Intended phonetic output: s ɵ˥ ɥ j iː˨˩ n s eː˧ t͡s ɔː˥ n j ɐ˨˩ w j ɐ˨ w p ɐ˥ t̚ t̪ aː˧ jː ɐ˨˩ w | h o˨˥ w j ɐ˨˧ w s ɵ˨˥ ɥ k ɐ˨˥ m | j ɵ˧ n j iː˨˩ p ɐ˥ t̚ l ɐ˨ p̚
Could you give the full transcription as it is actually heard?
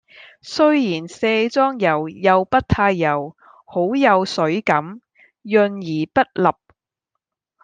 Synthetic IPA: s ɵ˥ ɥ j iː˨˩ n s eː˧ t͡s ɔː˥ ŋ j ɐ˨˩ w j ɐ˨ w p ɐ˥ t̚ t̪ʰ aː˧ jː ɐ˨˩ w | h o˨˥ w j ɐ˨˧ w s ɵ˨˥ ɥ k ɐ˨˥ m | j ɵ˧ n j iː˨˩ p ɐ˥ t̚ l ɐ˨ p̚